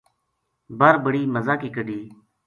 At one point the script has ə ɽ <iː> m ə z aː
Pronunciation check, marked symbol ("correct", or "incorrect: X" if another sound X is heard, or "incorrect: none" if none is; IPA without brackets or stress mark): correct